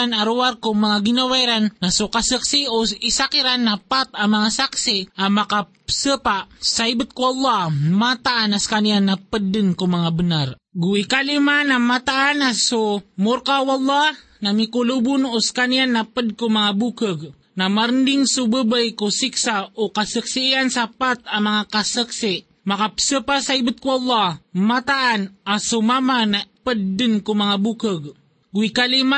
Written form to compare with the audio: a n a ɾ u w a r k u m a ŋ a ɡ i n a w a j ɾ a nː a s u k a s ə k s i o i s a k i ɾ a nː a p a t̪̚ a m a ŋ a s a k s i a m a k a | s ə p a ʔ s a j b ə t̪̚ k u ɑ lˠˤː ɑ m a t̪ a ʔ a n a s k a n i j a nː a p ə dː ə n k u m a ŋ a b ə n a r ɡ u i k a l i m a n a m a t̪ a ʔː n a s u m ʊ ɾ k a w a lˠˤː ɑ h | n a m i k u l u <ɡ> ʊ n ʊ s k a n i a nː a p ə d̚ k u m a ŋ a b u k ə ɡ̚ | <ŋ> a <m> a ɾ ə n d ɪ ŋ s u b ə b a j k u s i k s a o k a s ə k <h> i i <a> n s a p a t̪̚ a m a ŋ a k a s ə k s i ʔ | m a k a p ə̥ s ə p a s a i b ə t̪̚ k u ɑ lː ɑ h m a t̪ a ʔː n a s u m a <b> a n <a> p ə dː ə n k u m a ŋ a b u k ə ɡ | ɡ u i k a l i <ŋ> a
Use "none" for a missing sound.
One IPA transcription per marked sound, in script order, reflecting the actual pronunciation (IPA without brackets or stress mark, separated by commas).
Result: b, n, m, s, a, m, a, m